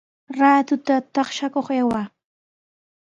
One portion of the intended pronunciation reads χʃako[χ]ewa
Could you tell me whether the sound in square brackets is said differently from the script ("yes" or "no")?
no